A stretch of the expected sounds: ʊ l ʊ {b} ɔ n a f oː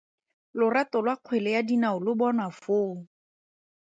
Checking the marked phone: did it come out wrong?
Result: no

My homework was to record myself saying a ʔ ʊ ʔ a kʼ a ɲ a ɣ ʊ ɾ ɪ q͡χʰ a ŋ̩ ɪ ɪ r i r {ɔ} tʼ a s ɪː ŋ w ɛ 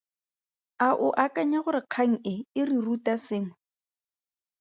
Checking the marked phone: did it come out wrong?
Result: yes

